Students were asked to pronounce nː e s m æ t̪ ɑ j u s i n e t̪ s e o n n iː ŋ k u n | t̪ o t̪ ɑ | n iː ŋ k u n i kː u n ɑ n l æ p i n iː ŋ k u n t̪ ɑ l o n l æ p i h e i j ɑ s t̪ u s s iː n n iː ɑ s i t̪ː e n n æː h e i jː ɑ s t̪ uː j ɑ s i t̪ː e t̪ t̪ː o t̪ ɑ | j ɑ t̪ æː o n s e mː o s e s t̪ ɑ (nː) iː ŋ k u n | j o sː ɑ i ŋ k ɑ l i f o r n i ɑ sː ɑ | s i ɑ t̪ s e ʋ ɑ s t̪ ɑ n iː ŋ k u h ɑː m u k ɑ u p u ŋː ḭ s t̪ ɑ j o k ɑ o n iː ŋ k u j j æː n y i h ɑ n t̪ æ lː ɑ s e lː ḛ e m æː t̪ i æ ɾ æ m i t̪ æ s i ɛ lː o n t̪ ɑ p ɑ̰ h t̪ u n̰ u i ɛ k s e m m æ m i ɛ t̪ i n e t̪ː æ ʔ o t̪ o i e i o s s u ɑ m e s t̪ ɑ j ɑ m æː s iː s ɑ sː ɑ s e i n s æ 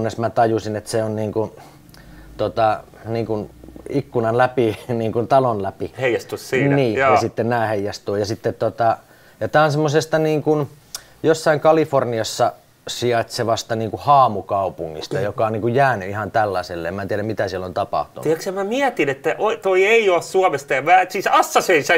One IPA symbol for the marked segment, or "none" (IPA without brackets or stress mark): n